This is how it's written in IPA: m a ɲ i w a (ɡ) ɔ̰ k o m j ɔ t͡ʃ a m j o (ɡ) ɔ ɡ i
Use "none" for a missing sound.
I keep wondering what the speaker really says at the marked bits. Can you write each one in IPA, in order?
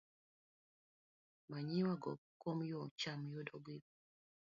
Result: ɡ, d

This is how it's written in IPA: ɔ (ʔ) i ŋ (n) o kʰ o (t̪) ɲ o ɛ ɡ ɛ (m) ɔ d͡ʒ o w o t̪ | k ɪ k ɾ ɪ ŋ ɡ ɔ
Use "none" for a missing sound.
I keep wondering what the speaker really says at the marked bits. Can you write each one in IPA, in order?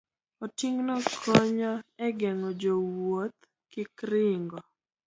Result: t, n, none, ŋ

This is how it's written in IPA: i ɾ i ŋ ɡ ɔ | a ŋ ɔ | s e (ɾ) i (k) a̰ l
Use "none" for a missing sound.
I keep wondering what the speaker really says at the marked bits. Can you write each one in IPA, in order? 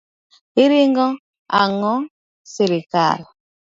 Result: ɾ, k

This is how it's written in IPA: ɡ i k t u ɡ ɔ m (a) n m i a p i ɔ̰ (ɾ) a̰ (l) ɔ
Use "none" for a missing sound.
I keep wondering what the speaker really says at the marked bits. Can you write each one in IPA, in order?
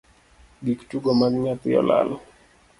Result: a, l, l

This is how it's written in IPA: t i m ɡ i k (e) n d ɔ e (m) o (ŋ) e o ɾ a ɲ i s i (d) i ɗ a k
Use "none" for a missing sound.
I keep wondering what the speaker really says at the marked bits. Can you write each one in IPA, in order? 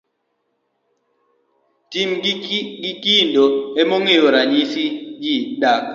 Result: i, m, ŋ, d͡ʒ

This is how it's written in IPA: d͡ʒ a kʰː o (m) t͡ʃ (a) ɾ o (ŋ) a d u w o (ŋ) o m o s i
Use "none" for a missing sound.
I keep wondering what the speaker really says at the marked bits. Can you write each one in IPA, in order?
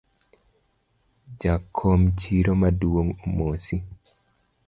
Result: m, i, m, ŋ

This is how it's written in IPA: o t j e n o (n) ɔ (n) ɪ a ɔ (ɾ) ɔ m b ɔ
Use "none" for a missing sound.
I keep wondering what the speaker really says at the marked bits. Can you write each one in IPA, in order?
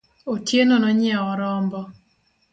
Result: n, ɲ, ɾ

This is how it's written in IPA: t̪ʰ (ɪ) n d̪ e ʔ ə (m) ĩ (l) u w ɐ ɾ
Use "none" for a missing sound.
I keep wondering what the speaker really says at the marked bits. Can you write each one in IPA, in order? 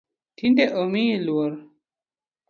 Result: i, m, l

